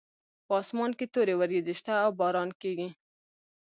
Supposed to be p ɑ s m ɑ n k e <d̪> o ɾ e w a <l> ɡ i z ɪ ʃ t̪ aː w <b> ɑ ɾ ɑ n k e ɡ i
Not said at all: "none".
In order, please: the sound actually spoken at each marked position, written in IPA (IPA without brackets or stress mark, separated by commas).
t̪, ɾ, b